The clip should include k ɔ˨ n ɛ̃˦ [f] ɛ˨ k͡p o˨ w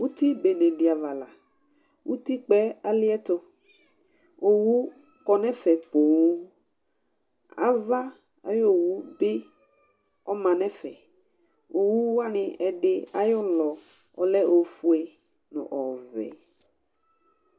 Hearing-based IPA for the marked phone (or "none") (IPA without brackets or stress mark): f